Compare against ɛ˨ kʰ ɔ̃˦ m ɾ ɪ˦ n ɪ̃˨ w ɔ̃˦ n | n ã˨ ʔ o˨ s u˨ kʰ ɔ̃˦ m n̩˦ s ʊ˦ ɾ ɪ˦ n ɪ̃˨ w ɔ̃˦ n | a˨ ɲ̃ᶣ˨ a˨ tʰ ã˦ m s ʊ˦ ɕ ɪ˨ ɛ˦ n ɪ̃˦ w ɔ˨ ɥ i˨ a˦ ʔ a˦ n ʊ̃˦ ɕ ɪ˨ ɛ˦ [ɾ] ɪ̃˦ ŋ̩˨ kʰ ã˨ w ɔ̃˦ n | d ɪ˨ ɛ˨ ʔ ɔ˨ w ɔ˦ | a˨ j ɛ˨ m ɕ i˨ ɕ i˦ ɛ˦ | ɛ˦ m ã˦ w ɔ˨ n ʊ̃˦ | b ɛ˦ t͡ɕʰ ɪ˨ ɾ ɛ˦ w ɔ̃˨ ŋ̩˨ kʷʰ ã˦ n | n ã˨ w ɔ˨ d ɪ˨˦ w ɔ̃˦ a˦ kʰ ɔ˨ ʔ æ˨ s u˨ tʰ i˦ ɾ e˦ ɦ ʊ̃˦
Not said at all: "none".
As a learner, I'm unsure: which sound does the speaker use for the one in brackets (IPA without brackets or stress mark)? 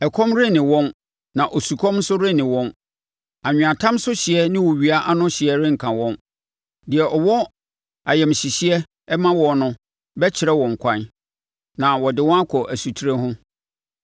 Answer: ɾ